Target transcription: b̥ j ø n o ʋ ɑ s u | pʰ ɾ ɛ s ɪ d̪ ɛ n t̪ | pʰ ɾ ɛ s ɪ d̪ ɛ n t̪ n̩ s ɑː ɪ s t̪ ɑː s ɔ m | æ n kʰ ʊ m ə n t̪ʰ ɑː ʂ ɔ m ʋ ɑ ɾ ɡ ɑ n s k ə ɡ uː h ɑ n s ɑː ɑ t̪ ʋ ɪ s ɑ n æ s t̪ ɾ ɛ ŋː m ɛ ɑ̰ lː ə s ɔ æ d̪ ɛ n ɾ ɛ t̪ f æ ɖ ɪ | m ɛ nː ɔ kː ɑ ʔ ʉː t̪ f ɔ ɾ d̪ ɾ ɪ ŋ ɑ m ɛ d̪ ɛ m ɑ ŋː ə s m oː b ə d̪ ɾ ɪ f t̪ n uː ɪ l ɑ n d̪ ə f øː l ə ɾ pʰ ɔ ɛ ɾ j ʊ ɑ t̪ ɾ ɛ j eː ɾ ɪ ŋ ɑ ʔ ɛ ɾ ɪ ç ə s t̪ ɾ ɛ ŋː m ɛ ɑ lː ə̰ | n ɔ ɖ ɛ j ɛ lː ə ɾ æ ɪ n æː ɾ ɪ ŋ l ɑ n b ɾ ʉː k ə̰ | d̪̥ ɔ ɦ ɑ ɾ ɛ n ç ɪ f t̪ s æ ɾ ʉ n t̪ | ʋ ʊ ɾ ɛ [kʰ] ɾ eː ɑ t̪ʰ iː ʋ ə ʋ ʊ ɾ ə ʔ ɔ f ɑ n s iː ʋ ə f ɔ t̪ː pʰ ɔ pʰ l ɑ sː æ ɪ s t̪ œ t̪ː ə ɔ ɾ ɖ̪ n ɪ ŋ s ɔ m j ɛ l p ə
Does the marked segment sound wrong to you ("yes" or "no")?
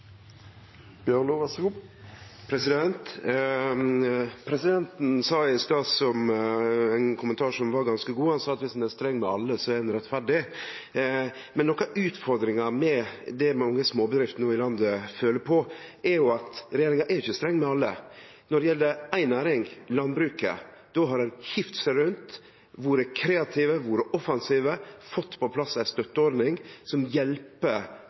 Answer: no